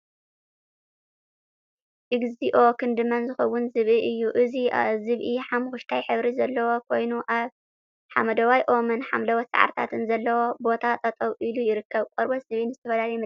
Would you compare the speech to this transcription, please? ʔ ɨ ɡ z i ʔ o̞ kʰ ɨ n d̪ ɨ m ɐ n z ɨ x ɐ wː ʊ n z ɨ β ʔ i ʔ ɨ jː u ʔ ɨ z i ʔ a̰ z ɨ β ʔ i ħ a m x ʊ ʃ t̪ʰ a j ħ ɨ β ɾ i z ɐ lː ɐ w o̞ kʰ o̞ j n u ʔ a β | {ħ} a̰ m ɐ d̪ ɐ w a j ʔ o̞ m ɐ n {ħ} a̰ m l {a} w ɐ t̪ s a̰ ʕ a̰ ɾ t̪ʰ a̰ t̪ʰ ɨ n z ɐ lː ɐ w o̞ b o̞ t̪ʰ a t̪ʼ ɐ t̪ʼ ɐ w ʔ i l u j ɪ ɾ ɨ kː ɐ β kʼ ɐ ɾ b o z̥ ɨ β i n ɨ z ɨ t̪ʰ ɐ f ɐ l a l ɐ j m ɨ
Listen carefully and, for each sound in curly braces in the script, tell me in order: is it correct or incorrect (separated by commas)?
correct, correct, incorrect